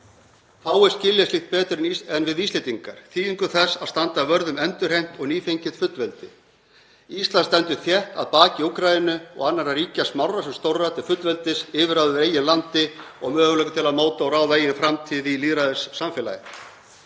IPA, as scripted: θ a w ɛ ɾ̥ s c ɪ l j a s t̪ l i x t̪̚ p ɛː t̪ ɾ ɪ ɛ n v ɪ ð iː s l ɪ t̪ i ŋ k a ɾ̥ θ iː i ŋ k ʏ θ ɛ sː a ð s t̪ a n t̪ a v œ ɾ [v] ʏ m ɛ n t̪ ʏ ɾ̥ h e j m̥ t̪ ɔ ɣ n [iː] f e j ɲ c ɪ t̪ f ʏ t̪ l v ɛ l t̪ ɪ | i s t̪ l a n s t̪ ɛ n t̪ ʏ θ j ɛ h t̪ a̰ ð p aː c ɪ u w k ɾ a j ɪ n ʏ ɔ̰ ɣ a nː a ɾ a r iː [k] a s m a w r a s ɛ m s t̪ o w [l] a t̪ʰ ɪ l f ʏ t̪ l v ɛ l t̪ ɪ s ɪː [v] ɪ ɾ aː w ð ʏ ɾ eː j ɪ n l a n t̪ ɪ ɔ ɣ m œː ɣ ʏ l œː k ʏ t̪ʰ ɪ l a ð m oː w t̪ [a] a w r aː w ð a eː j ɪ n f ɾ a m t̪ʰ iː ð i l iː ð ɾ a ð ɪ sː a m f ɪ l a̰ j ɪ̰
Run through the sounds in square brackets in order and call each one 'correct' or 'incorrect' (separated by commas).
incorrect, correct, incorrect, incorrect, correct, correct